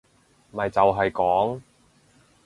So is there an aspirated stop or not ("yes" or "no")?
no